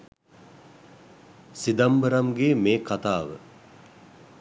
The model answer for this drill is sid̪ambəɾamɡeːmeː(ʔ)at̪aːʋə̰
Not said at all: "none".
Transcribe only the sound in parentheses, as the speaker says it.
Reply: k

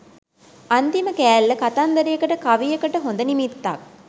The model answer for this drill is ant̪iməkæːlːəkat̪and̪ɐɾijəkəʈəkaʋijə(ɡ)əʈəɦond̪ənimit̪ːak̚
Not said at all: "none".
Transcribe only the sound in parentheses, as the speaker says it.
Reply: k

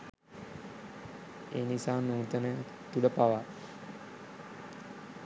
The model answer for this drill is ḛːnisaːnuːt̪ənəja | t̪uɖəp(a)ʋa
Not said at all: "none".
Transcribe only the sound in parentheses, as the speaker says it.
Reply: a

